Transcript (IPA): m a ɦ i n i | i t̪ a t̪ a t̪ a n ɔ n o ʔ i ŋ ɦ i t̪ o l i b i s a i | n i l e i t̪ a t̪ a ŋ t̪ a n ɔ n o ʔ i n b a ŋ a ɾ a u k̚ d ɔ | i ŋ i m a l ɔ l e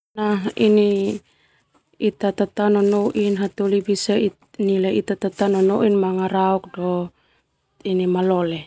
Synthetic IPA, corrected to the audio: n a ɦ i n i | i t̪ a t̪ a t̪ a n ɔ n o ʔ i n ɦ a t̪ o l i b i s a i | n i l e i t̪ a t̪ a t̪ a n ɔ n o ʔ i n m a ŋ a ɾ a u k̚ d ɔ | i n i m a l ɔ l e